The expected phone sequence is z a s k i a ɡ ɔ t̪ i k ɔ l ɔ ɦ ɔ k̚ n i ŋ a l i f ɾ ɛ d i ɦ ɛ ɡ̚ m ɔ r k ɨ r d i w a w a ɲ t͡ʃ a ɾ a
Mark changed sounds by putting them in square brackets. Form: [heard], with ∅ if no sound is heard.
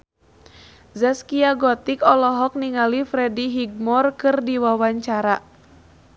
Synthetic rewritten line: z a s k i a ɡ ɔ t̪ i k ɔ l ɔ ɦ ɔ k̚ n i ŋ a l i f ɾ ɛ d i ɦ [i] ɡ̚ m ɔ r k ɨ r d i w a w a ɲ t͡ʃ a ɾ a